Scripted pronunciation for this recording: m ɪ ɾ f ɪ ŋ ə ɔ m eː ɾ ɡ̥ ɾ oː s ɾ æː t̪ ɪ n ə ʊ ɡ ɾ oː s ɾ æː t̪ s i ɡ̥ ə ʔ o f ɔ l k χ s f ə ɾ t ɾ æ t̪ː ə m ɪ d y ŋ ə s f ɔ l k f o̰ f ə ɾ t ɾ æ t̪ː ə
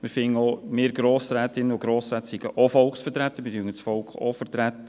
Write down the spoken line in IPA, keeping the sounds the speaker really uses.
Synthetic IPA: m ɪ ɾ f ɪ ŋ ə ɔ m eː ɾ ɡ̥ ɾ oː s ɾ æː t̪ ɪ n ə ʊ ɡ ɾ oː s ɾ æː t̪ s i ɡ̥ ə ʔ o f ɔ l k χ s f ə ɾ t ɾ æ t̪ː ə m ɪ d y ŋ ə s f ɔ l k χ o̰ f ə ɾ t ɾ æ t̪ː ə